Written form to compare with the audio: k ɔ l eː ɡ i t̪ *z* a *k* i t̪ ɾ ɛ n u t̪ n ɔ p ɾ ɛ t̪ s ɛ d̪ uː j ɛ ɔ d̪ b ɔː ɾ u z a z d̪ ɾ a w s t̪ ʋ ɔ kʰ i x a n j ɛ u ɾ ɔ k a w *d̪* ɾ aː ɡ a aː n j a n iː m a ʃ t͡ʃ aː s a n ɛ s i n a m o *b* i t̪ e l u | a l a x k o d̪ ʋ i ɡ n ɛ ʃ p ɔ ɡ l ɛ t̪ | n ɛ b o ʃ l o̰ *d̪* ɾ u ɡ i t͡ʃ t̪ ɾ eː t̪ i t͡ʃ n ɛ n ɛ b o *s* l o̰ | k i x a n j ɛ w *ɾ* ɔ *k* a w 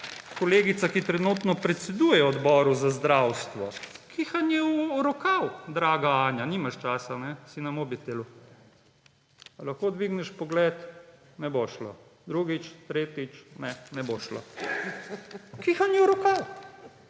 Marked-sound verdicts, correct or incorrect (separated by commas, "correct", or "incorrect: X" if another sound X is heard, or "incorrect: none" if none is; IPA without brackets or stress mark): incorrect: s, correct, correct, correct, correct, incorrect: ʃ, correct, correct